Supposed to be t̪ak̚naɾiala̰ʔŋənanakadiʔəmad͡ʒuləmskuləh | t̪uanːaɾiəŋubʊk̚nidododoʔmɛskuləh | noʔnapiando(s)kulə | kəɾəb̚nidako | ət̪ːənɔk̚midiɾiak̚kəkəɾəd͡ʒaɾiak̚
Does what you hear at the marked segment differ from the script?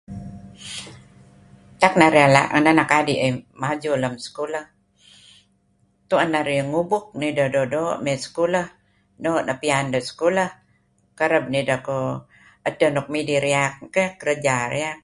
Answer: no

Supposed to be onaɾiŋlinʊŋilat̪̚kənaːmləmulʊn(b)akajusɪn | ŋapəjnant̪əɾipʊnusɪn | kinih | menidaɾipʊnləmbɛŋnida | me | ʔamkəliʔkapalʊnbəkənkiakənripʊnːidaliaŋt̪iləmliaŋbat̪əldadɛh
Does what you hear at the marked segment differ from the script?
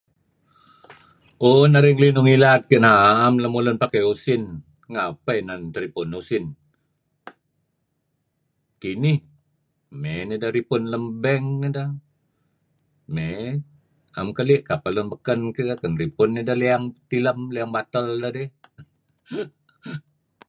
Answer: yes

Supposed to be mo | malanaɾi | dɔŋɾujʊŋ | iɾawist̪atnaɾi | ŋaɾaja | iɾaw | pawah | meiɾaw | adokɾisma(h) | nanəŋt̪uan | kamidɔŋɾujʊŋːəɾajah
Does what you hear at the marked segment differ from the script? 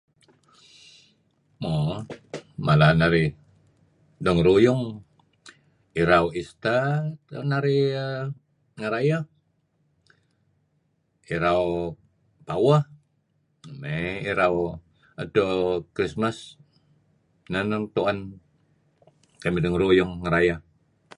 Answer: yes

